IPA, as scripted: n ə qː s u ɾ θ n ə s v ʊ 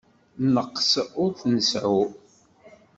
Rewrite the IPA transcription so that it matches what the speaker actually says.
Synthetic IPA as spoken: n ə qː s ʊ ɾ θ n ə s ʕ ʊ

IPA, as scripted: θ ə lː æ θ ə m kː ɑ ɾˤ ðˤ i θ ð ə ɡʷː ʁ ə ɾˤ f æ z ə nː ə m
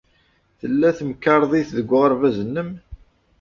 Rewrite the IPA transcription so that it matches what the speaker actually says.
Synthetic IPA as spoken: θ ə lː æ θ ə m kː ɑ ɾˤ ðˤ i θ ð ə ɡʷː ʁ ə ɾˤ v æ z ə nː ə m

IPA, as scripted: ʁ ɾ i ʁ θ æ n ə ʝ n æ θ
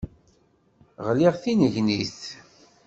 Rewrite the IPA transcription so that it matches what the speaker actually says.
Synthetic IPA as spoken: ʁ l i ʁ θ i n ə ʝ n i θ

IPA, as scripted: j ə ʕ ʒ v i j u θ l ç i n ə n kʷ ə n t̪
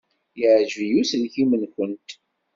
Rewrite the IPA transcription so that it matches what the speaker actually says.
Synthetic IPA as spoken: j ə ʕ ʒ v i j u s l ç i m ə n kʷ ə n t̪

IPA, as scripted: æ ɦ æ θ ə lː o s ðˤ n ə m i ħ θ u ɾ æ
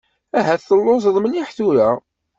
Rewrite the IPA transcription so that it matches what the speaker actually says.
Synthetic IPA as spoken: æ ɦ æ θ ə lː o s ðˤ m ə n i ħ θ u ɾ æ

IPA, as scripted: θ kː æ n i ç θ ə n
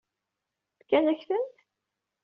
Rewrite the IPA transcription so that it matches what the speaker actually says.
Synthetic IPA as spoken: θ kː æ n æ ç θ ə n

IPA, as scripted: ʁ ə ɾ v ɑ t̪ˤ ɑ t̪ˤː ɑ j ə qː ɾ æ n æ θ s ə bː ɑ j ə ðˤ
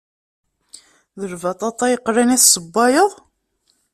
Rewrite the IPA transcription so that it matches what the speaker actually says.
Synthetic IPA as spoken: ð ə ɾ v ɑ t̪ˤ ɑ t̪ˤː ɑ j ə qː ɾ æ n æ θ s ə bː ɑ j ə ðˤ

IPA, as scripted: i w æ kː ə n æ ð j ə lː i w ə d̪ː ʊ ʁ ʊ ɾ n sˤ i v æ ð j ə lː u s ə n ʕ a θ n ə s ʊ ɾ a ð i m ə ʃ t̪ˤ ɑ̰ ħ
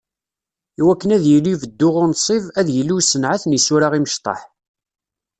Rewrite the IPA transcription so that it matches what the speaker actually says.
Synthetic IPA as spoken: i w æ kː ə n æ ð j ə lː i v ə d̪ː ʊ ʁ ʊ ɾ n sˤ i v æ ð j ə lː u s ə n ʕ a θ n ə s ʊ ɾ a ʁ i m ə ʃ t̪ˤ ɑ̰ ħ

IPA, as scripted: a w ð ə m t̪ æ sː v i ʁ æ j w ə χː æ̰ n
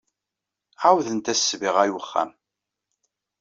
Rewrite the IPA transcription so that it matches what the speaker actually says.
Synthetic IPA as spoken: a w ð ə n t̪ æ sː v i ʁ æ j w ə χː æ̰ m

